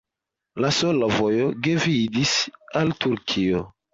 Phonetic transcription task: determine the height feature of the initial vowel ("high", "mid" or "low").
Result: low